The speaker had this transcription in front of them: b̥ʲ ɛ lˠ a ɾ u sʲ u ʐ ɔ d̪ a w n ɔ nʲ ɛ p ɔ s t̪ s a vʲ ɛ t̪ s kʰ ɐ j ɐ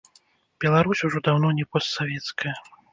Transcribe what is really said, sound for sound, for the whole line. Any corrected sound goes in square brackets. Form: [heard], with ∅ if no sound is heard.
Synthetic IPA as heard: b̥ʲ ɛ lˠ a ɾ u sʲ u ʐ ɔ d̪ a w n ɔ nʲ ɛ p ɔ s t̪ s a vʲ ɛ t̪ s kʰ ɐ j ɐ